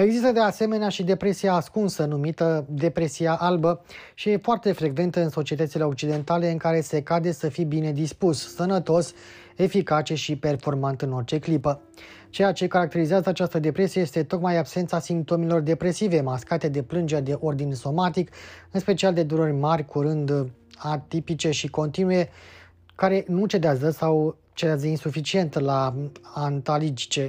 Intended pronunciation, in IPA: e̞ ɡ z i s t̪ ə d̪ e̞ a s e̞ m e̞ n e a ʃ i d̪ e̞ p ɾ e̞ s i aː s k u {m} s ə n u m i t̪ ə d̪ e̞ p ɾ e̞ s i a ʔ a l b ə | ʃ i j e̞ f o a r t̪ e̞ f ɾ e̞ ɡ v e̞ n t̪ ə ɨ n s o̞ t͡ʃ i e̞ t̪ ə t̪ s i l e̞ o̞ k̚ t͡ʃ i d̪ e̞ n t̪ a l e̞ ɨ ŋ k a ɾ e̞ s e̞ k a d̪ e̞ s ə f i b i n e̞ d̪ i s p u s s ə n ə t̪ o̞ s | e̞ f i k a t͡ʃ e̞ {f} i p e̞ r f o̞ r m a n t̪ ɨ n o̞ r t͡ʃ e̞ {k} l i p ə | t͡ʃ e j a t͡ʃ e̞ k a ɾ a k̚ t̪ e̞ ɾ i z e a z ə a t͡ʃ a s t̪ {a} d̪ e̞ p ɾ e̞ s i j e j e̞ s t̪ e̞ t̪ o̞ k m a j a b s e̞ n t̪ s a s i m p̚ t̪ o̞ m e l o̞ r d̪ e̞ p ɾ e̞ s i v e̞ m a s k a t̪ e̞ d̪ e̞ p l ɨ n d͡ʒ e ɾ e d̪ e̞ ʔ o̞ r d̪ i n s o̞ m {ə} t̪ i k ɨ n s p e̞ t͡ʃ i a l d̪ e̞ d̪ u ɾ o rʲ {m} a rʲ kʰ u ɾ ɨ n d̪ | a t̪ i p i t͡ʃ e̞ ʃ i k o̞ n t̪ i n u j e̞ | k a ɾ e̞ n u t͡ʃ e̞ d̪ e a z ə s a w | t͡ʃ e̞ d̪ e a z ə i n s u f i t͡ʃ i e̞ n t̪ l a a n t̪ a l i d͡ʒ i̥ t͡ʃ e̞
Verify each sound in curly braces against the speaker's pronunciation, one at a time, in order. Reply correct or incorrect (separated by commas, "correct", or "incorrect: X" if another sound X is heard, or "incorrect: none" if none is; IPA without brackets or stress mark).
incorrect: n, incorrect: ʃ, correct, incorrect: ə, incorrect: a, correct